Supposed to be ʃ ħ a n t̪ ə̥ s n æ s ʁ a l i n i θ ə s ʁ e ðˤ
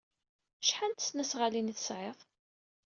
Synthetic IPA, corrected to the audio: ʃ ħ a n t̪ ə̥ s n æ s ʁ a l i n i θ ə s ʕ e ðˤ